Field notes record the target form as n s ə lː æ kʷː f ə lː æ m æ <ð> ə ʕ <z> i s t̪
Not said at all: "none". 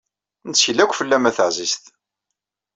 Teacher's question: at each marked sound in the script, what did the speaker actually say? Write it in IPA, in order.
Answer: θ, z

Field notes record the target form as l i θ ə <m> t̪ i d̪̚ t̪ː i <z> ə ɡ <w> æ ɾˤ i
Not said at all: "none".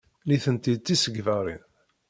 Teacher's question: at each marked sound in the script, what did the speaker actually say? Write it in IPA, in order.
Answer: n, s, v

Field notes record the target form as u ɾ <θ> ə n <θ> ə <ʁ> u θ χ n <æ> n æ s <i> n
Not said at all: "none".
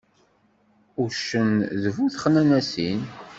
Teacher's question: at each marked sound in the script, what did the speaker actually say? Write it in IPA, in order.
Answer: ʃ, ð, v, æ, i

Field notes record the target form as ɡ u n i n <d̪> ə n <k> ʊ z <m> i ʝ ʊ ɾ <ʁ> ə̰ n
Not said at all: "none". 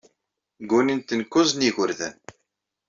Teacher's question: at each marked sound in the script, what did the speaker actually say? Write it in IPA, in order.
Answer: t̪, k, n, ð

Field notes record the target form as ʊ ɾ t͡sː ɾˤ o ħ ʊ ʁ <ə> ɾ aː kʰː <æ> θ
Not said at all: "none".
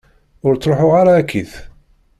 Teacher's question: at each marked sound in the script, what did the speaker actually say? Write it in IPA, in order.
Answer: a, i

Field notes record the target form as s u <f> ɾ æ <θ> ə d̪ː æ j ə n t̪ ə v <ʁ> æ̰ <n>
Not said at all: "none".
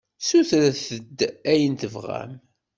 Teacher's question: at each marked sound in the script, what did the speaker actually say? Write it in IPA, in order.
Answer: θ, θ, ʁ, m

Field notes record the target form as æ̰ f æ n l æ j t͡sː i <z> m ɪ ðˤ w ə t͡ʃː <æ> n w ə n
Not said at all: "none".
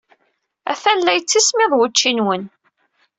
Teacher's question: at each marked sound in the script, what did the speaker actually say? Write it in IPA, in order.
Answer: s, i

